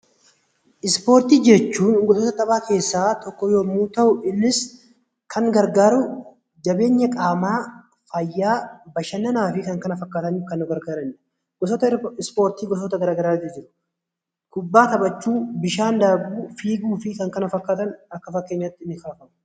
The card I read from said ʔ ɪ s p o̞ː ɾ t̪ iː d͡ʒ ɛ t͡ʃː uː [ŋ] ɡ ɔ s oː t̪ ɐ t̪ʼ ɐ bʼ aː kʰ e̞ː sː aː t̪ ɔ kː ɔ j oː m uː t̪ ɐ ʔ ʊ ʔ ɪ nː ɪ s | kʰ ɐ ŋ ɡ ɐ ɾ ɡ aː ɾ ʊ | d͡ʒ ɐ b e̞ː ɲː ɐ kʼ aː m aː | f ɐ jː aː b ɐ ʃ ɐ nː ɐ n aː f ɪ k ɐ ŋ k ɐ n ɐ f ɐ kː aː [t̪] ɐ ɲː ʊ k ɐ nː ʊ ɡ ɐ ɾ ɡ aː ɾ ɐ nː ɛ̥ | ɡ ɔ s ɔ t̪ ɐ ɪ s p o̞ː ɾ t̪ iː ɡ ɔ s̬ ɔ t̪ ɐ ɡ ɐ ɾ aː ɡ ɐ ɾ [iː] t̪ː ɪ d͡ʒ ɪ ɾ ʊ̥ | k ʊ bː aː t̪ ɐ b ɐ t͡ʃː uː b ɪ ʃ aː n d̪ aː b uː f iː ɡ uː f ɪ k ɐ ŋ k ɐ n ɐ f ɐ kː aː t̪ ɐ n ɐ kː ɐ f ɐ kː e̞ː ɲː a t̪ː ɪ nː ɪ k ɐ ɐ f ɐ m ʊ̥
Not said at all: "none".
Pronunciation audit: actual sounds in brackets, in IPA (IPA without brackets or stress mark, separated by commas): n, t̪, aː